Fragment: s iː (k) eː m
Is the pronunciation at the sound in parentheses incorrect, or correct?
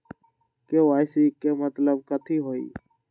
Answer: correct